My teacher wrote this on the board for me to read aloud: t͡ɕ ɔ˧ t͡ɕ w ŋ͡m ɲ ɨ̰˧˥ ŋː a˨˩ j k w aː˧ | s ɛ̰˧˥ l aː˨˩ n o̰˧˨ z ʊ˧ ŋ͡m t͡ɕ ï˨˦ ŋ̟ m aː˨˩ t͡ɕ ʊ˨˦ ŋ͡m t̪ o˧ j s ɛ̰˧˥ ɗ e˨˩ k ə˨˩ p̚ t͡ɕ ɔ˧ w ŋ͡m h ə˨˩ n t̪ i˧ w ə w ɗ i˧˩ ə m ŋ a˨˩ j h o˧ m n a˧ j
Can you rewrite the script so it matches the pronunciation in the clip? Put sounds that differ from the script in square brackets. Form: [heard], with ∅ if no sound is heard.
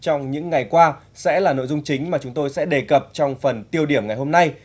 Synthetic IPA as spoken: t͡ɕ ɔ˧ [∅] w ŋ͡m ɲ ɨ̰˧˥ ŋː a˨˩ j k w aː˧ | s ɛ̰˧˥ l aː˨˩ n o̰˧˨ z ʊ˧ ŋ͡m t͡ɕ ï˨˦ ŋ̟ m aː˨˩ t͡ɕ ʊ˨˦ ŋ͡m t̪ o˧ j s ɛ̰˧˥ ɗ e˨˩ k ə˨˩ p̚ t͡ɕ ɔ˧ w ŋ͡m [f] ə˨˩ n t̪ i˧ [∅] ə w ɗ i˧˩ ə m ŋ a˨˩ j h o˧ m n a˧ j